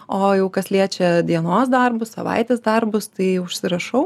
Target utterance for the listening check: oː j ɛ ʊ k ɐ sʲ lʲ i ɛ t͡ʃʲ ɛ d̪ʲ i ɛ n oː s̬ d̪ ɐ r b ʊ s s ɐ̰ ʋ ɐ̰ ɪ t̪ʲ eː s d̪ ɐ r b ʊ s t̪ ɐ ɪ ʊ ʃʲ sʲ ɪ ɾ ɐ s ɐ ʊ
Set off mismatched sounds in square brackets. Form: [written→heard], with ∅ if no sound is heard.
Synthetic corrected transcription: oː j ɛ ʊ k ɐ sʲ lʲ i ɛ t͡ʃʲ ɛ d̪ʲ i ɛ n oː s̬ d̪ ɐ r b ʊ s s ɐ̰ ʋ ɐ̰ ɪ t̪ʲ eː s d̪ ɐ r b ʊ s t̪ ɐ ɪ ʊ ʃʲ sʲ ɪ ɾ ɐ [s→ʃ] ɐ ʊ